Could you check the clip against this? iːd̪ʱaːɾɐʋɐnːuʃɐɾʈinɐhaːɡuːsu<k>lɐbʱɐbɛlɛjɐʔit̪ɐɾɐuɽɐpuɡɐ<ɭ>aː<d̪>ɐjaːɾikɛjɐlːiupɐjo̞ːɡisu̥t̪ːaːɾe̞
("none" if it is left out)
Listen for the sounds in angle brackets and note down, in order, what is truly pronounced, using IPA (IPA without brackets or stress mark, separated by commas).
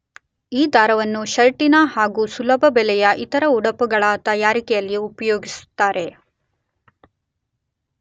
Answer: none, ɭ, t̪